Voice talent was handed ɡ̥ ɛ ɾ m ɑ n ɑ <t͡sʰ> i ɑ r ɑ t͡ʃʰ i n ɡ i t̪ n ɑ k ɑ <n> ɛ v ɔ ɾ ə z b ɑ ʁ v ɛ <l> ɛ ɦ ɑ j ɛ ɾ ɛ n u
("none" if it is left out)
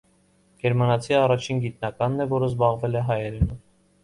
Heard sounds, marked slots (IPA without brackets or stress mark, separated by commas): t͡sʰ, nː, l